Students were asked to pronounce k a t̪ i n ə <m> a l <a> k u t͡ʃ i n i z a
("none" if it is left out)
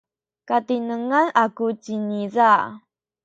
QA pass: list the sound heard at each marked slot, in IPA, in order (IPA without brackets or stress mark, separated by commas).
ŋ, a